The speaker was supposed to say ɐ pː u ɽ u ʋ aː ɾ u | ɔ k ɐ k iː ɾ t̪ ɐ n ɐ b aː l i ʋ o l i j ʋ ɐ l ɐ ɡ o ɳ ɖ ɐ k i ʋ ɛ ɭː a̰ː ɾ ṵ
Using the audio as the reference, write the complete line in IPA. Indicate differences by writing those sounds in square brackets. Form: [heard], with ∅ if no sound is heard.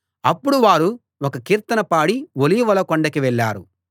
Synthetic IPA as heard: ɐ pː u ɽ u ʋ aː ɾ u | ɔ k ɐ k iː ɾ t̪ ɐ n ɐ [p] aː [ɽ] i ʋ o l i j ʋ ɐ l ɐ [k] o ɳ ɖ ɐ k i ʋ ɛ ɭː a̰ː ɾ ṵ